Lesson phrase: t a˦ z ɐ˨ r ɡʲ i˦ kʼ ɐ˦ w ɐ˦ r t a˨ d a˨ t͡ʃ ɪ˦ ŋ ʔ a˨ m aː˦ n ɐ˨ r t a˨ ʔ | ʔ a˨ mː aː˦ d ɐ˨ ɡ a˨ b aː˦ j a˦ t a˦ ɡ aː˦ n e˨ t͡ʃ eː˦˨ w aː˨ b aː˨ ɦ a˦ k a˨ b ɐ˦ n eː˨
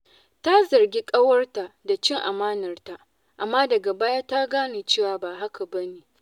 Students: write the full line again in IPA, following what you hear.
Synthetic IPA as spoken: t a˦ z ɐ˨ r ɡʲ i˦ kʼ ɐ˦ w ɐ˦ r t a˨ d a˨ t͡ʃ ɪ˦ ŋ ʔ a˨ m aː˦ n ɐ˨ r t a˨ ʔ | ʔ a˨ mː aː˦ d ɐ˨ ɡ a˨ b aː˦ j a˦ t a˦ ɡ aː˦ n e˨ t͡ʃ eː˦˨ w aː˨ b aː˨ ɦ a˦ k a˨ b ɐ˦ n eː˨